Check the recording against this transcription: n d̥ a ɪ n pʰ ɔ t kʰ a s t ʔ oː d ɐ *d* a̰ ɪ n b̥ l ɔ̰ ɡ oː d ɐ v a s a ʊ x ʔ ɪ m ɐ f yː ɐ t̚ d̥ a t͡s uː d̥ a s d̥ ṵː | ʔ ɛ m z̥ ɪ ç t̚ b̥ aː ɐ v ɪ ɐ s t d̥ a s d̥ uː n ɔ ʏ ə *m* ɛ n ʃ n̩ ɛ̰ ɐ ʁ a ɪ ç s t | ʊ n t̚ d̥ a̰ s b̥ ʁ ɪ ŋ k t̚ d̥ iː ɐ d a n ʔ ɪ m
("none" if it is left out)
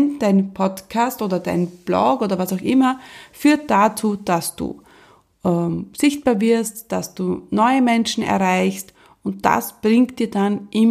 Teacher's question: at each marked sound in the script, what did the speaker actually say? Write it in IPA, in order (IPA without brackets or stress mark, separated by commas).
d, m